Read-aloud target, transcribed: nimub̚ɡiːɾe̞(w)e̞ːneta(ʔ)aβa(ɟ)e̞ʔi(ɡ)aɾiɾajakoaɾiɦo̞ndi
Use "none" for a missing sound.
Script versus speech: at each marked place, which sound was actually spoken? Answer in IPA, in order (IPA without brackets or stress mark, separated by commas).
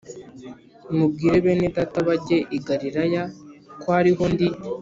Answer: β, t, ɟ, ɡ